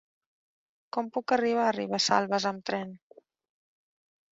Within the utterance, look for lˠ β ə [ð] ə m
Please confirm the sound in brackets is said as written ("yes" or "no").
no